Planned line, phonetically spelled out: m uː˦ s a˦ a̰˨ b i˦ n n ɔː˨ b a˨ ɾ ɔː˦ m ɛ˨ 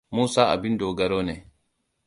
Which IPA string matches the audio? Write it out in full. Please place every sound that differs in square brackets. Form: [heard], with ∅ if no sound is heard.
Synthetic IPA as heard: m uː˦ s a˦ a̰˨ b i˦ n [d] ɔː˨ [ɡ] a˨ ɾ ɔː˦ [n] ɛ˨